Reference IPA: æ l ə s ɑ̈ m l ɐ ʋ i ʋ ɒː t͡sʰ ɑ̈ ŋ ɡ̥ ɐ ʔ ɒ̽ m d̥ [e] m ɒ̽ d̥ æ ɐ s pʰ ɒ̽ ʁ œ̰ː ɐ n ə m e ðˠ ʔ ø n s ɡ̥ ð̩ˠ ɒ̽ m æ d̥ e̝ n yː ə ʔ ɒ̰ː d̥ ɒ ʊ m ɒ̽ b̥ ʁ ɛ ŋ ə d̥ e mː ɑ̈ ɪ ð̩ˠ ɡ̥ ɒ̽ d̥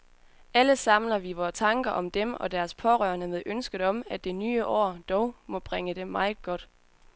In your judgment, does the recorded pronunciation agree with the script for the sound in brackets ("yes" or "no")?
yes